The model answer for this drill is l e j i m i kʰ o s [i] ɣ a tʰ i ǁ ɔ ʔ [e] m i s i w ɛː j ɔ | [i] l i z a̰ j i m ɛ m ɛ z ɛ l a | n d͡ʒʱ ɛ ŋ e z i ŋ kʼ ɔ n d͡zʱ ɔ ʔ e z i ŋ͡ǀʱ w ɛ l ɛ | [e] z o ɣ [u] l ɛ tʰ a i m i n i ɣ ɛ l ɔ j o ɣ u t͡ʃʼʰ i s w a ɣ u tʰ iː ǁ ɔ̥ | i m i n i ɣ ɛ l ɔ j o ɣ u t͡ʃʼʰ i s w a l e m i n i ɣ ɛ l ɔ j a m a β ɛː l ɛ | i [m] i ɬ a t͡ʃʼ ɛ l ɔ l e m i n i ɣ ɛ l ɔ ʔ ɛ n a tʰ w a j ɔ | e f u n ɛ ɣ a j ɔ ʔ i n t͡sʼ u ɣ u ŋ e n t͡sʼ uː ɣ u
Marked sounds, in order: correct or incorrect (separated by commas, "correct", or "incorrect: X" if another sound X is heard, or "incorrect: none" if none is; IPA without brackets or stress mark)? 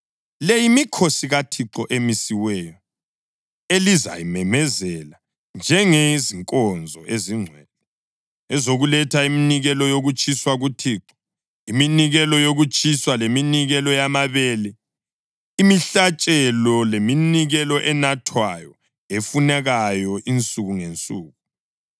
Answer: correct, correct, incorrect: e, incorrect: ɛ, correct, correct